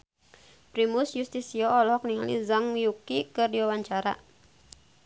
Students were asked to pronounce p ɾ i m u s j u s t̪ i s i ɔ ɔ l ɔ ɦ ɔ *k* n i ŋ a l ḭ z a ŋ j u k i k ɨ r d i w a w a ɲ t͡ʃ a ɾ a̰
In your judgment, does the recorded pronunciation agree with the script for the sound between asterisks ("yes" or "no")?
yes